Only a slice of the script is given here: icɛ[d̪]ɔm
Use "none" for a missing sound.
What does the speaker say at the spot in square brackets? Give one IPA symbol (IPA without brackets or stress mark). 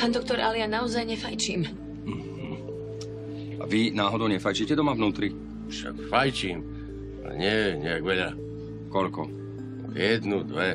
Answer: d̪